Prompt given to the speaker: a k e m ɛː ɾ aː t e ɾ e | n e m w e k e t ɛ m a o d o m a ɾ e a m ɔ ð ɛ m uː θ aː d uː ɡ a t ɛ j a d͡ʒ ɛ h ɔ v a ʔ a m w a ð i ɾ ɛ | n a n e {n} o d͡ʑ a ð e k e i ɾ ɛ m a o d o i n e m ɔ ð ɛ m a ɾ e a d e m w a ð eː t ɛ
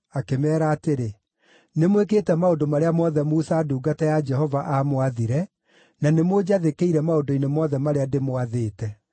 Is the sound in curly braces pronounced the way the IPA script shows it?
no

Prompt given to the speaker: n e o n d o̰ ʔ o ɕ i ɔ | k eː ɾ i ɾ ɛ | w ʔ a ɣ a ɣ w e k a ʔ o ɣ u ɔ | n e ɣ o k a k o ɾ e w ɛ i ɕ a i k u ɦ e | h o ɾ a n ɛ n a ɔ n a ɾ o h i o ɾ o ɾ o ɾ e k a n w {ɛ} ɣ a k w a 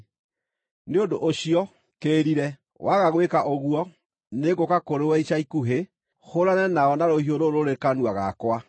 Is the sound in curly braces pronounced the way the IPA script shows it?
no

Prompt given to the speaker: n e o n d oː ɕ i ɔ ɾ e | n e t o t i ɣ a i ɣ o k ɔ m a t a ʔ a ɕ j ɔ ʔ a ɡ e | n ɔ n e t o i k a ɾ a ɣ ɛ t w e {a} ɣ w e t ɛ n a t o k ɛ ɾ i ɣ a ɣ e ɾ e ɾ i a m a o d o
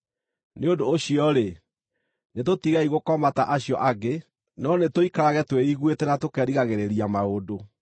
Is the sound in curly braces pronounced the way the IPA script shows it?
no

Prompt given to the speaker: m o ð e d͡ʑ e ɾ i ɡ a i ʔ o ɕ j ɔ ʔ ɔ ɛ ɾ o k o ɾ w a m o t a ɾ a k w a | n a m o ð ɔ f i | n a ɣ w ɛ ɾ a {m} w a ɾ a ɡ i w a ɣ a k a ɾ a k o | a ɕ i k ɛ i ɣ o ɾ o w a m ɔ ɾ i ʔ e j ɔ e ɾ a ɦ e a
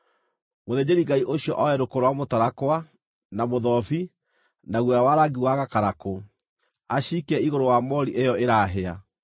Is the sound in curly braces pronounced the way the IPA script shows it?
no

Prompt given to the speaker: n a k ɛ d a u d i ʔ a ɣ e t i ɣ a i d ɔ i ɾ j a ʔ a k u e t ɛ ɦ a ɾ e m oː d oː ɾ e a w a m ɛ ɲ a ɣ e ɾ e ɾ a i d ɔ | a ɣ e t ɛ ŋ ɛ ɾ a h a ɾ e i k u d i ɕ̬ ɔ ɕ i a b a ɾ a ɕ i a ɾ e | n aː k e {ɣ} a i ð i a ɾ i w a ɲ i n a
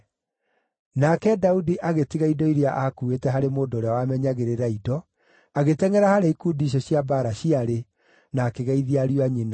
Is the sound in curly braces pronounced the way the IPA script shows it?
yes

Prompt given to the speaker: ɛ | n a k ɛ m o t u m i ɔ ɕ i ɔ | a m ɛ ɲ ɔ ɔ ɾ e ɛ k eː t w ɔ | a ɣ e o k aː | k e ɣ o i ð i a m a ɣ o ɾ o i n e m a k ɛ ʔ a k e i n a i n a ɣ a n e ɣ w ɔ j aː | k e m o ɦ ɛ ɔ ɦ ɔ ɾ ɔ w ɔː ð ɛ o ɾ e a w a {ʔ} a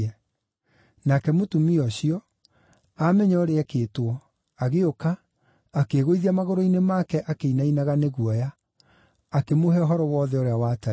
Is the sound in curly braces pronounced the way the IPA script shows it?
no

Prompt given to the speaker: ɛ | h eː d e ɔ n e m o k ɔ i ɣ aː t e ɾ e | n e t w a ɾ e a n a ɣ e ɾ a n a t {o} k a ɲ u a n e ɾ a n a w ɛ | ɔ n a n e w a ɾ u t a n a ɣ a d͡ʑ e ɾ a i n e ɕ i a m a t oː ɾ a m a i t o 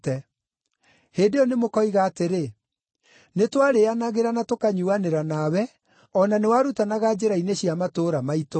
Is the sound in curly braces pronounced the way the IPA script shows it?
yes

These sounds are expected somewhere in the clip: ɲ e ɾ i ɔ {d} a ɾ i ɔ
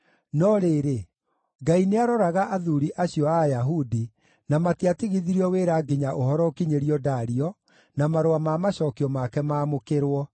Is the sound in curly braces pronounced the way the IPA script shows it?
yes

